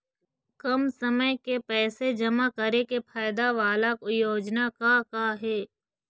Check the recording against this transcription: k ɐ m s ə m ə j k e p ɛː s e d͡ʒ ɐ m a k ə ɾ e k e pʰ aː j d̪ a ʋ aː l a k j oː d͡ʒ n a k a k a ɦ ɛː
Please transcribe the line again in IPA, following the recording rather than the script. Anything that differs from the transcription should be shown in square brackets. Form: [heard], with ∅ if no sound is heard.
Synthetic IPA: k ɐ m s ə m ə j k e p ɛː s e d͡ʒ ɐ m a k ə ɾ e k e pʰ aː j d̪ a ʋ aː l a k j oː d͡ʒ n a k a k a ɦ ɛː